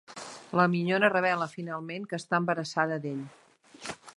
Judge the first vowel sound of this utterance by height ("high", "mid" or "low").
mid